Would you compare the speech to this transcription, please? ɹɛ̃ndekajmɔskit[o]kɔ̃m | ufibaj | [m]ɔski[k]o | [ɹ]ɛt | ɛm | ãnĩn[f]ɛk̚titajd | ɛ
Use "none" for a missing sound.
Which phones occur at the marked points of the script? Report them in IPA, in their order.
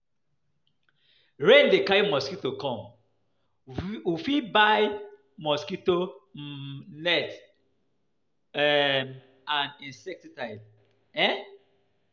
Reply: o, m, t, l, s

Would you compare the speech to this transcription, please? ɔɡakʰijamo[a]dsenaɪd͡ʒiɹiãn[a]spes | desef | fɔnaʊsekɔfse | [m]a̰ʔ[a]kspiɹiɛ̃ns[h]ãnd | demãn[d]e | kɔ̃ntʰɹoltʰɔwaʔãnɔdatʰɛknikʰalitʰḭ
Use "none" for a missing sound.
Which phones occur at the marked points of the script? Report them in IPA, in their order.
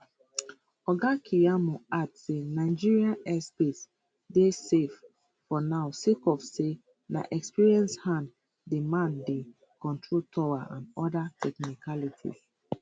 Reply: a, ɛ, n, ɛ, h, d

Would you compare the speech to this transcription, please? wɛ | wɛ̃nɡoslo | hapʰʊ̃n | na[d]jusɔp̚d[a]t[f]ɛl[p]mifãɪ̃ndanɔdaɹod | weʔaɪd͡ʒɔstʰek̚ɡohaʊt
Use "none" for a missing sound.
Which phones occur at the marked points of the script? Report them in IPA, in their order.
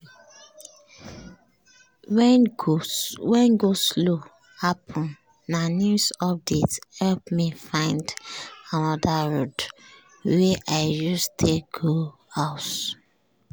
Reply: n, e, h, p

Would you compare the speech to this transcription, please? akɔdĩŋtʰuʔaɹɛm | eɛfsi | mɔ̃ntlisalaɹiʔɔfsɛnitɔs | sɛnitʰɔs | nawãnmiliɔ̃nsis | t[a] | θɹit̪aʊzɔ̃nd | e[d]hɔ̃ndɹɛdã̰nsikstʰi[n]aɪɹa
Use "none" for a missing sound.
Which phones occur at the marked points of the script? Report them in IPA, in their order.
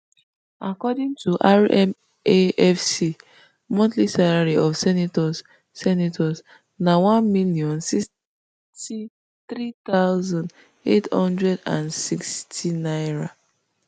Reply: i, t, n

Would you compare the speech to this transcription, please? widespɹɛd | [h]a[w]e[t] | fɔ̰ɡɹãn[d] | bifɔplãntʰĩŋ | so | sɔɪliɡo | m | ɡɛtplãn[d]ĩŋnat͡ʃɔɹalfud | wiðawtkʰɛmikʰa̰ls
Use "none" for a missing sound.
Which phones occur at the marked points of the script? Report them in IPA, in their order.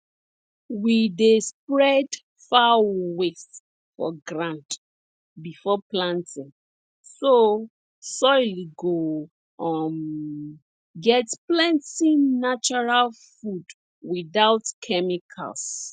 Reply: f, w, s, t, t

